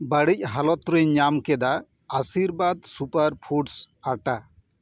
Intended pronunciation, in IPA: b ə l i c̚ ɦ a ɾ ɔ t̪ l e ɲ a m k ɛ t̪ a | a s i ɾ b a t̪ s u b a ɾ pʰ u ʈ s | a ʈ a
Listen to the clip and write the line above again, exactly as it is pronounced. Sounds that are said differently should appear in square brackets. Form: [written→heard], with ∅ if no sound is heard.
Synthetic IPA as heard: b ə [l→ɽ] i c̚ ɦ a [ɾ→l] ɔ t̪ [l→ɾ] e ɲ a m k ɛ [t̪→d̪] a | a s i ɾ b a [t̪→d̪] s u [b→p] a ɾ pʰ u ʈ s | a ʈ a